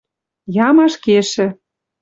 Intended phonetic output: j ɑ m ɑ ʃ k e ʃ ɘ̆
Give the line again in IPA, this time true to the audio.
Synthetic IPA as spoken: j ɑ m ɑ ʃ k e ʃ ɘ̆